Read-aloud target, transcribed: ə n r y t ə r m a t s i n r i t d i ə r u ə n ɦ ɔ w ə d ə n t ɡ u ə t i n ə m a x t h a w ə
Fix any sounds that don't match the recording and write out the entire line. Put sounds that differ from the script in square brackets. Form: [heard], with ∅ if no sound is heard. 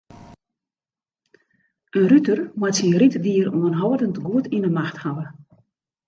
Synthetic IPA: ə n r y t ə r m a t s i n r i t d i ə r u ə n ɦ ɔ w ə d ə n t ɡ u ə t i n ə m a x t h a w ə